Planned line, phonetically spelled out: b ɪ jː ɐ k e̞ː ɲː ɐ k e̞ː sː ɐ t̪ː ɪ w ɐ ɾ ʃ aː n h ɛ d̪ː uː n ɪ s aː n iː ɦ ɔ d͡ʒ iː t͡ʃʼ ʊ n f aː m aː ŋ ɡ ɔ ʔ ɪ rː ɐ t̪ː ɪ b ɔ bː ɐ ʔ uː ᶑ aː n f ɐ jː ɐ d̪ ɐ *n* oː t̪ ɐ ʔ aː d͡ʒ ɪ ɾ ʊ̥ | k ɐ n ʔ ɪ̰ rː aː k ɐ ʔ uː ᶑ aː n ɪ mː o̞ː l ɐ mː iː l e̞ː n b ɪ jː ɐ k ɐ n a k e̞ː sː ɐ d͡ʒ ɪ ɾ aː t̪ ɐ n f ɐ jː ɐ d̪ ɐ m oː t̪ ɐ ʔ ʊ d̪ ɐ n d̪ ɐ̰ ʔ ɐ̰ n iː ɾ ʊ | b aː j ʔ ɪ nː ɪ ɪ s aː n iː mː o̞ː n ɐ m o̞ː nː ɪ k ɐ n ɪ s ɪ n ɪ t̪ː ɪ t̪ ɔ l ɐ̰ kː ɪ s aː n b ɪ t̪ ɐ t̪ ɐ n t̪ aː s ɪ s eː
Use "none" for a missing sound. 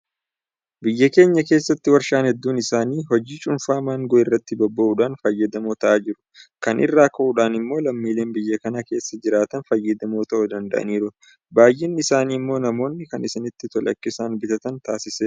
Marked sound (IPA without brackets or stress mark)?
m